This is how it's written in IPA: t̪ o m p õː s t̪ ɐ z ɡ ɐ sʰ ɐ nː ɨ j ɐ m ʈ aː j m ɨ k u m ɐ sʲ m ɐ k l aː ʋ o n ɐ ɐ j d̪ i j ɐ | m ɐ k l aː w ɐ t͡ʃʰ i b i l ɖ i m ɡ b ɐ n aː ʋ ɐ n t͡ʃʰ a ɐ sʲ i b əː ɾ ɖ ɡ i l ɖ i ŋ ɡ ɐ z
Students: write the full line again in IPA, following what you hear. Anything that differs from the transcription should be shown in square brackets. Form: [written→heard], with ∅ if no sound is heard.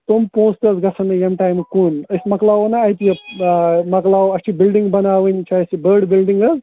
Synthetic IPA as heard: t̪ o m p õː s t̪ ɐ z ɡ ɐ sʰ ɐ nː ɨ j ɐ m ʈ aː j m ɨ k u [m→n] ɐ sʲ m ɐ k l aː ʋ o n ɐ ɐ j [d̪→t̪] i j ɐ | m ɐ k l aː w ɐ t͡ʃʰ i b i l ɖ i [m→ŋ] ɡ b ɐ n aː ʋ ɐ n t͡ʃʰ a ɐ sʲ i b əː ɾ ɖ [ɡ→b] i l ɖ i ŋ ɡ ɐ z

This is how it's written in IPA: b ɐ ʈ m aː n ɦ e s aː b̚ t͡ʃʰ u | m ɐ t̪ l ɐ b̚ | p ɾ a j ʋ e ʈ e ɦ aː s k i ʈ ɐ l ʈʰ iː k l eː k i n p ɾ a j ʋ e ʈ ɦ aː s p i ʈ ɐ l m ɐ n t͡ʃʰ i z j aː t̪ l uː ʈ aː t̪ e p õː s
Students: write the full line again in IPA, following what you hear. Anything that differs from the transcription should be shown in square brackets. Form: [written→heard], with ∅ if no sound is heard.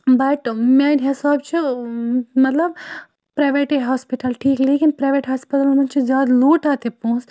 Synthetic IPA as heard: b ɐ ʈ m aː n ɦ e s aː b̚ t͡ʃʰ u | m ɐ t̪ l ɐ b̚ | p ɾ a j ʋ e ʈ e ɦ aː s [k→p] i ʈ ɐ l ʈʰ iː k l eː k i n p ɾ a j ʋ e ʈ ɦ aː s p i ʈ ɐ l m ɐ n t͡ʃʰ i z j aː [t̪→d̪] l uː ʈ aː t̪ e p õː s

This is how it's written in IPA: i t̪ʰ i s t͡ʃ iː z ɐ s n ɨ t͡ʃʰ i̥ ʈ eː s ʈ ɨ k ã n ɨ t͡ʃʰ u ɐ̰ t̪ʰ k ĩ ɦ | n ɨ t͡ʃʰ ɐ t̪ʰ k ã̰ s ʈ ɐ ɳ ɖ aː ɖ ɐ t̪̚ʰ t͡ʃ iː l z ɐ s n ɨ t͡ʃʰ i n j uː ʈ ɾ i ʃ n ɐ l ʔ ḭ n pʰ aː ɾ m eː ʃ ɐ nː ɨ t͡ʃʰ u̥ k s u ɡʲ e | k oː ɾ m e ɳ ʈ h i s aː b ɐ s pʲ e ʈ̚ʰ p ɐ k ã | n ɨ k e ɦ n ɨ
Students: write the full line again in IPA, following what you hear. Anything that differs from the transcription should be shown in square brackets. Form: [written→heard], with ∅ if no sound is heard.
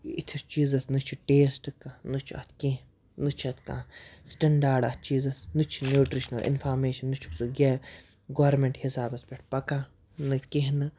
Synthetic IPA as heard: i t̪ʰ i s t͡ʃ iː z ɐ s n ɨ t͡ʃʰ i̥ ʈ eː s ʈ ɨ k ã n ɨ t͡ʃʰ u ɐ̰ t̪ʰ k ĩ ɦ | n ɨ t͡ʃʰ ɐ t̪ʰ k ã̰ s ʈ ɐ ɳ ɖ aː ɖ ɐ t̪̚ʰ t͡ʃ iː [l→∅] z ɐ s n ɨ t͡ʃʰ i n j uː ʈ ɾ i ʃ n ɐ l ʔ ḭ n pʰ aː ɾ m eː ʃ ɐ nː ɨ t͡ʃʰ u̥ k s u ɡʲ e | [k→ɡ] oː ɾ m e ɳ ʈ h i s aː b ɐ s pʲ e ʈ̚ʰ p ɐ k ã | n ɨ k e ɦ n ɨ

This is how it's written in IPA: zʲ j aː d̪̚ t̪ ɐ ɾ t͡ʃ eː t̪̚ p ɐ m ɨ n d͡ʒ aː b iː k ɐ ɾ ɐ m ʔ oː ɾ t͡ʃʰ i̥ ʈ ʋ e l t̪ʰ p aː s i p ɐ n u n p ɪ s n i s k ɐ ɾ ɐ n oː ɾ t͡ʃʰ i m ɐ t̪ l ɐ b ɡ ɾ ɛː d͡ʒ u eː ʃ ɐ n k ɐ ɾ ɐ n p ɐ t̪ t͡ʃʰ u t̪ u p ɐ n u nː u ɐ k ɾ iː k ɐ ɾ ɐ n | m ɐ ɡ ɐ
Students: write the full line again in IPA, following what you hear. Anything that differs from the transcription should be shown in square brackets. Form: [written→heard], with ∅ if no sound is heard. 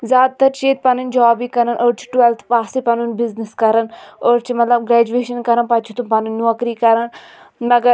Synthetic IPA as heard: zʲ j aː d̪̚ t̪ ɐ ɾ t͡ʃ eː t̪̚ p ɐ [m→n] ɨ n d͡ʒ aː b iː k ɐ ɾ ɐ [m→n] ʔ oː ɾ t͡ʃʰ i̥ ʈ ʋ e l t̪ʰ p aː s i p ɐ n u n [p→b] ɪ [s→z] n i s k ɐ ɾ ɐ n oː ɾ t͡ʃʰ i m ɐ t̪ l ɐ b ɡ ɾ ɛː d͡ʒ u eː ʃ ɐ n k ɐ ɾ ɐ n p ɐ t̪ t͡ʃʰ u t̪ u p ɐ n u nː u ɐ k ɾ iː k ɐ ɾ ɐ n | m ɐ ɡ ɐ

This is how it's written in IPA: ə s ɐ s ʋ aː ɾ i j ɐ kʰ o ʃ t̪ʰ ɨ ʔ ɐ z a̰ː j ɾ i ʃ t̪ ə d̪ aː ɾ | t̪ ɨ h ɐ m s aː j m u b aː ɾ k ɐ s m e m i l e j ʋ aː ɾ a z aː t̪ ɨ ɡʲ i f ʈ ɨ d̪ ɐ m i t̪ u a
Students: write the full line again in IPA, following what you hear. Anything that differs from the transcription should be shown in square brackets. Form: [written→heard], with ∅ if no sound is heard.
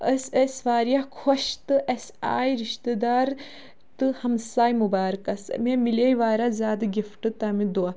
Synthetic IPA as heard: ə s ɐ s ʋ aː ɾ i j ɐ kʰ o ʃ [t̪ʰ→t̪] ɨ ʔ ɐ [z→s] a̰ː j ɾ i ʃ t̪ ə d̪ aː ɾ | t̪ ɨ h ɐ m s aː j m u b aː ɾ k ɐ s m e m i l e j ʋ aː ɾ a z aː [t̪→d̪] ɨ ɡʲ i f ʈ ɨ [d̪→t̪] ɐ m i [t̪→d̪] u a

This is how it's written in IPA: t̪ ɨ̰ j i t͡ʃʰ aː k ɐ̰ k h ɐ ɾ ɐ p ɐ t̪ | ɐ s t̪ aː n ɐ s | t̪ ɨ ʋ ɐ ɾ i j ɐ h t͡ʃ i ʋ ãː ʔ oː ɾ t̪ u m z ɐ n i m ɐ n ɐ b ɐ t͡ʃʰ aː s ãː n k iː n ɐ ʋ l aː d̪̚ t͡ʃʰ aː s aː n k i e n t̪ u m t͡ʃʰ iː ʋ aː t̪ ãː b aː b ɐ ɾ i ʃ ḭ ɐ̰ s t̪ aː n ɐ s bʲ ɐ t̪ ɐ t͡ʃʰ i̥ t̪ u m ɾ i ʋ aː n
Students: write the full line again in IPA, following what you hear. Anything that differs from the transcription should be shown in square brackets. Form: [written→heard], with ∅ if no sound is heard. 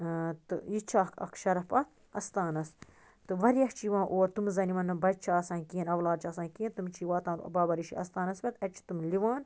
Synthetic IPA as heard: t̪ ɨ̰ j i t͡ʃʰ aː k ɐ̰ k [h→ʃ] ɐ ɾ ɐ p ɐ t̪ | ɐ s t̪ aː n ɐ s | t̪ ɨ ʋ ɐ ɾ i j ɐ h t͡ʃ i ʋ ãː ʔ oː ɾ t̪ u m z ɐ n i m ɐ n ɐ b ɐ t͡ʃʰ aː s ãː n k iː n ɐ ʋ l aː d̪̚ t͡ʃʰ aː s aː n k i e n t̪ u m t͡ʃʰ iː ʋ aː t̪ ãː b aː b ɐ ɾ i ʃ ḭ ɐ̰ s t̪ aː n ɐ s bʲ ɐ t̪ ɐ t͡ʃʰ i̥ t̪ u m [ɾ→l] i ʋ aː n

